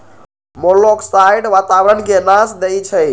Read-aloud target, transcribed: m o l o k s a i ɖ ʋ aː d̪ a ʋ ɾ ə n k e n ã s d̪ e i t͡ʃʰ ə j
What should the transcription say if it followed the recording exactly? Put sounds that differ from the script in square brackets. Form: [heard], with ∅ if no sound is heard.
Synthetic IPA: m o l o k s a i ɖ ʋ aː [t̪] a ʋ ɾ ə n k e n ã s d̪ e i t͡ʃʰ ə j